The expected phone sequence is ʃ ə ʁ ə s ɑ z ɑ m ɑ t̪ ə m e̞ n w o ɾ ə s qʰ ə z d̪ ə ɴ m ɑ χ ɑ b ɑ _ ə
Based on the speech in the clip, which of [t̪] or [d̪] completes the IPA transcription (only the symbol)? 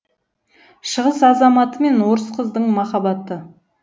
t̪